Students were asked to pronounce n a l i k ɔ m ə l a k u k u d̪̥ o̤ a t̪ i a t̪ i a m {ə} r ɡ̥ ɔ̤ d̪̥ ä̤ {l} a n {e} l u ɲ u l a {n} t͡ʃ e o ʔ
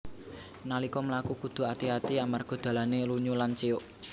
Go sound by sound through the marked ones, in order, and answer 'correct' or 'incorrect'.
incorrect: a, correct, correct, correct

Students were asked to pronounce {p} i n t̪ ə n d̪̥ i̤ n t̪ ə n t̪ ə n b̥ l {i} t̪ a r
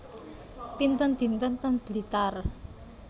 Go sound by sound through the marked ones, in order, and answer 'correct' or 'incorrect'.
correct, correct

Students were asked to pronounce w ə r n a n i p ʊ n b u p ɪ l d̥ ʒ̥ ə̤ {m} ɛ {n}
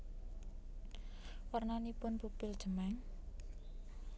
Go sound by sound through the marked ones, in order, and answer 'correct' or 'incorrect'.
correct, incorrect: ŋ

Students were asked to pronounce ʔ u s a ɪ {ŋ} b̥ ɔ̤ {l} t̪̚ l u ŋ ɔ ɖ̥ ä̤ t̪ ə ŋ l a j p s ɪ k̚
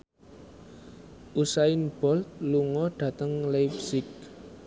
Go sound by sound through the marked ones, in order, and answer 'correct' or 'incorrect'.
incorrect: n, correct

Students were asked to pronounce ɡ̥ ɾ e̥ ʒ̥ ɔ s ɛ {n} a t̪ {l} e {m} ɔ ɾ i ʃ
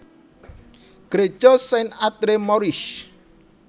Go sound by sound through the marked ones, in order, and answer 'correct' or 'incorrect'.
correct, incorrect: ɾ, correct

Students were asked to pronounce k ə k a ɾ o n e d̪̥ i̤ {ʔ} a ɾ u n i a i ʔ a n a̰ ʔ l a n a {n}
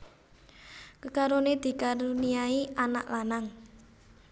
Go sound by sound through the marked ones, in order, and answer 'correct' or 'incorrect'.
incorrect: k, incorrect: ŋ

